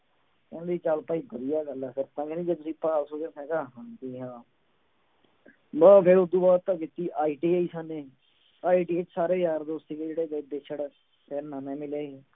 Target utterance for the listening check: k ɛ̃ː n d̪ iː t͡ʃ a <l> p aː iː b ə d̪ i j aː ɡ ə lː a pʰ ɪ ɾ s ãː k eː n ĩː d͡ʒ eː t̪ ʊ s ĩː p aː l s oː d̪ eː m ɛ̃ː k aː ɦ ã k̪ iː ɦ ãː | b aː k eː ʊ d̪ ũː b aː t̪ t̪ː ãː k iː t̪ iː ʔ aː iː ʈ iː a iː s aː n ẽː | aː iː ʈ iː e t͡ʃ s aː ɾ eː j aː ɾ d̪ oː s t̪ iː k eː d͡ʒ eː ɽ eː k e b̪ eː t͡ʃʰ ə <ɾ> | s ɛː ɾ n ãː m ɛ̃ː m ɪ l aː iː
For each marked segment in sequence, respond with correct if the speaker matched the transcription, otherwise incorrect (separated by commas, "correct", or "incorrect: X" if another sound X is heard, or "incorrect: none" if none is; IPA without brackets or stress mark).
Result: correct, incorrect: ɽ